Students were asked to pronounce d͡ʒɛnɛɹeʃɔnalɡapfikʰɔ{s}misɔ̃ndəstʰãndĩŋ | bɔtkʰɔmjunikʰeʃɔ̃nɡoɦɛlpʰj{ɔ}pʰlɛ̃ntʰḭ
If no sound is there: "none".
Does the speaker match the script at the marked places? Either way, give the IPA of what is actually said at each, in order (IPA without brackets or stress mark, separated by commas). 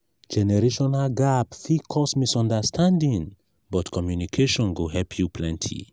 s, u